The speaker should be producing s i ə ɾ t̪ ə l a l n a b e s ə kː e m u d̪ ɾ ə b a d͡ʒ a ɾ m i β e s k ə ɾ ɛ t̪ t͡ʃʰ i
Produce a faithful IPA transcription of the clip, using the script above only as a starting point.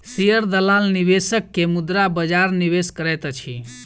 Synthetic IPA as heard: s i ə ɾ d̪ ə l a l n i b e s ə kː e m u d̪ ɾ a b ə d͡ʒ a ɾ n i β e s k ə ɾ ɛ t̪ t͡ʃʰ i

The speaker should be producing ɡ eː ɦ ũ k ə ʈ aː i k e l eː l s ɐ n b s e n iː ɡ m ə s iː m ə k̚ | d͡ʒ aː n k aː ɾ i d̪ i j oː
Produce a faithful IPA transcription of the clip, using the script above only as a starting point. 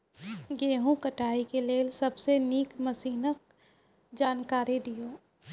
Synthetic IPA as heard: ɡ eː ɦ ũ k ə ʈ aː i k e l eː l s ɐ b s e n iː k m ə s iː n ə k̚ | d͡ʒ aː n k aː ɾ i d̪ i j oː

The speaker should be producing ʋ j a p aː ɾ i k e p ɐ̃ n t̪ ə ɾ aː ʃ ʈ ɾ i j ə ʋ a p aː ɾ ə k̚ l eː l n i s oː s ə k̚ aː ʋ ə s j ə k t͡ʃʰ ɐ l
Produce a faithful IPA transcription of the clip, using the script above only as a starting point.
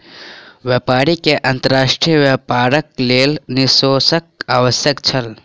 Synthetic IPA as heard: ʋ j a p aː ɾ i k e ʔ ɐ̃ n t̪ ə ɾ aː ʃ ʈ ɾ i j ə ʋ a p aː ɾ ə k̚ l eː l n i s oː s ə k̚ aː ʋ ə s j ə k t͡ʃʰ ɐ l

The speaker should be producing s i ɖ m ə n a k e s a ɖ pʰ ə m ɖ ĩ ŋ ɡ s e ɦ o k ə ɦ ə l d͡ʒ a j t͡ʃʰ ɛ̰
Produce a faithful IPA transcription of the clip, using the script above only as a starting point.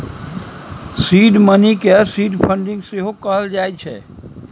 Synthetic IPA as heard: s i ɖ m ə n i k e s i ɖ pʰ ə ɳ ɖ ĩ ŋ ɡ s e ɦ o k ə ɦ ə l d͡ʒ a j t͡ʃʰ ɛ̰

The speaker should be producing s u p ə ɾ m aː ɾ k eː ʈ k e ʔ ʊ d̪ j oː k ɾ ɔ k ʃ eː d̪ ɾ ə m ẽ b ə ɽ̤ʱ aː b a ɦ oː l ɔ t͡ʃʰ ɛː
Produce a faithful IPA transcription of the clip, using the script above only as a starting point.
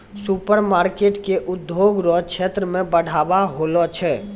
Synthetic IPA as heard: s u p ə ɾ m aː ɾ k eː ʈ k e ʔ ʊ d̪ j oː ɡ ɾ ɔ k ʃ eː t̪ ɾ ə m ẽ b ə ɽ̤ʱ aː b a ɦ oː l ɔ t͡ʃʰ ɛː

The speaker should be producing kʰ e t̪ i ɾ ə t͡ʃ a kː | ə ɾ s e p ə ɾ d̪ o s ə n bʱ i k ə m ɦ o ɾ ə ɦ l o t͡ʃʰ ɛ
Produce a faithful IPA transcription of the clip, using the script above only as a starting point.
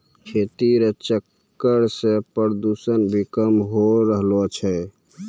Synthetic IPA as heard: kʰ e t̪ i ɾ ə t͡ʃ ə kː | ə ɾ s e p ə ɾ d̪ u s ə n bʱ i k ə m ɦ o ɾ ə ɦ l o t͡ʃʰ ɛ

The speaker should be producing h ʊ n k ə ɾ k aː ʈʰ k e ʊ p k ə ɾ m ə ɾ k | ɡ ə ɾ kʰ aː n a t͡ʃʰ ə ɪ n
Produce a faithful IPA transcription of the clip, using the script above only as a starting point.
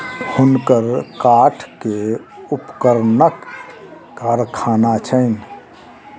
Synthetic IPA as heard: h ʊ n k ə ɾ k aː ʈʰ k e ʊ p k ə ɾ n ə k | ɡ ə ɾ kʰ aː n a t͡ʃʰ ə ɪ n

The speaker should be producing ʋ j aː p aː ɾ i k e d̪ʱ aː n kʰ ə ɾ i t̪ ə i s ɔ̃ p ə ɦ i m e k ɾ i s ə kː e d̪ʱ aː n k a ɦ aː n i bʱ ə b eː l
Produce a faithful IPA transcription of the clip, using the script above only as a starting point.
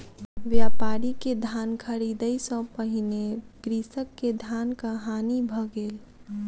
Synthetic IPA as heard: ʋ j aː p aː ɾ i k e d̪ʱ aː n kʰ ə ɾ i d̪ ə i s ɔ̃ p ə ɦ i n e ɡ ɾ i s ə kː e d̪ʱ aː n k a ɦ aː n i bʱ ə ɡ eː l

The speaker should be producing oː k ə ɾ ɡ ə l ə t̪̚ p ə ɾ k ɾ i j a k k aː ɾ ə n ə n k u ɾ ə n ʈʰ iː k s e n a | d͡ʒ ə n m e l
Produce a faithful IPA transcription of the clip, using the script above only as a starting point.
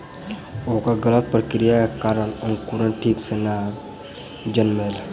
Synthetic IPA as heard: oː k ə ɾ ɡ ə l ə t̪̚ p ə ɾ k ɾ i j a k k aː ɾ ə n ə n k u ɾ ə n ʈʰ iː k s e n a | d͡ʒ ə n m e l

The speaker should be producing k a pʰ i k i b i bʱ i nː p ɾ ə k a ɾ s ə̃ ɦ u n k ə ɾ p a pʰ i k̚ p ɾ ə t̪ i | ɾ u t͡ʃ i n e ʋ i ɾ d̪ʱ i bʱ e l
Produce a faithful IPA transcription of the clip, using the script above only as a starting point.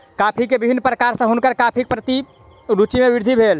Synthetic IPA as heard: k a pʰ i k e b i bʱ i nː p ɾ ə k a ɾ s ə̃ ɦ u n k ə ɾ k a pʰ i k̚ p ɾ ə t̪ i | ɾ u t͡ʃ i m e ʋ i ɾ d̪ʱ i bʱ e l

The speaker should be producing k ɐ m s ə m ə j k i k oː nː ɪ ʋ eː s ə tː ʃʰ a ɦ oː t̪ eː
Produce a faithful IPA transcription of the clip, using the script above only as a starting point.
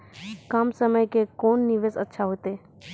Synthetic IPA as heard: k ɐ m s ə m ə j k e k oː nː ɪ ʋ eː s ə tː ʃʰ a ɦ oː t̪ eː

